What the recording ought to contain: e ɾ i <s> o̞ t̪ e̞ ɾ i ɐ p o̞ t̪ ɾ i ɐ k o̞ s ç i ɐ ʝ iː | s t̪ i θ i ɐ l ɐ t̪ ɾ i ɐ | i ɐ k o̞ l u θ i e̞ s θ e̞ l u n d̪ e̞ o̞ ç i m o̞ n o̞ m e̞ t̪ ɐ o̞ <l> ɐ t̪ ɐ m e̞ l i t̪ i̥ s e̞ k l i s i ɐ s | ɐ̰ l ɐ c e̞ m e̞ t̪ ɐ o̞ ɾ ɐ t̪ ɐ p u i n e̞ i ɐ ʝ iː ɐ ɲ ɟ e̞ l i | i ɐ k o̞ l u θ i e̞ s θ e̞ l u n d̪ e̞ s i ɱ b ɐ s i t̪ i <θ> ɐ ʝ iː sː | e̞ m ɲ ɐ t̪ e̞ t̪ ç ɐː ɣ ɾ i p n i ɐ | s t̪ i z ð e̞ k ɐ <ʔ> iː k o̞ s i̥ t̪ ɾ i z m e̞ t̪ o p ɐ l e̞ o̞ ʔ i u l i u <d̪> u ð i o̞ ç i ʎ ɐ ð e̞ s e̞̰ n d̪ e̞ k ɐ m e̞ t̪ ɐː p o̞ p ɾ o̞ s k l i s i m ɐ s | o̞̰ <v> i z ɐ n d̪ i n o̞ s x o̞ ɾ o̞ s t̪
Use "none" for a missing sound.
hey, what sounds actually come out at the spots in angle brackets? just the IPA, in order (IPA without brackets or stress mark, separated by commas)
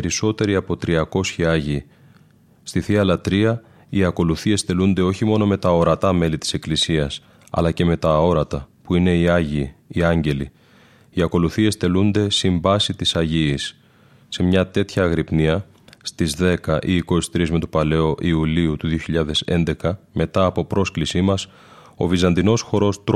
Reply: s, ɾ, s, ʔ, t̪, v